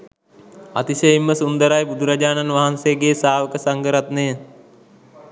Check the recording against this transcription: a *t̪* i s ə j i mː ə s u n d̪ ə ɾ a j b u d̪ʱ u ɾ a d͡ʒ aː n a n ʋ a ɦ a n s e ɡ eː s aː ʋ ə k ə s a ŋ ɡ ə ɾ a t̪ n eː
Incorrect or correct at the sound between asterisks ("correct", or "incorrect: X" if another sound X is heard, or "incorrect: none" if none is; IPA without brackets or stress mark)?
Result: correct